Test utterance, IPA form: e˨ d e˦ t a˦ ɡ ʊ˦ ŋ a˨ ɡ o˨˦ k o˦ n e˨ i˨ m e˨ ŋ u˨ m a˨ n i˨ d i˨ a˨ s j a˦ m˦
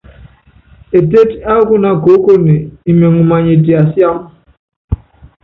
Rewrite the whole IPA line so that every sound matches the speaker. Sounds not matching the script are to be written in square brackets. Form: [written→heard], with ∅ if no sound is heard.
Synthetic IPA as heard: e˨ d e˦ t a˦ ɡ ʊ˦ [ŋ→n] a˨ ɡ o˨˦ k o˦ n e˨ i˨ m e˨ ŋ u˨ m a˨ [n→ɲ] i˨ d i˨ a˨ s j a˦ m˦